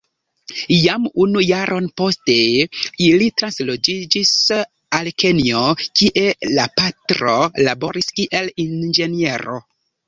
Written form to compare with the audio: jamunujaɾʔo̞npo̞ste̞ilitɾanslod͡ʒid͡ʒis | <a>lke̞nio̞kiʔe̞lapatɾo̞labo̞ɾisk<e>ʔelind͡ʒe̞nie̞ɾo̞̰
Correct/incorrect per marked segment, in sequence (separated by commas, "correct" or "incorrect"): correct, incorrect